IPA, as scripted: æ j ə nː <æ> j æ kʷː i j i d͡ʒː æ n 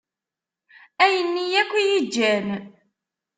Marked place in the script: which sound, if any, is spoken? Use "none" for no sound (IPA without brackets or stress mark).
i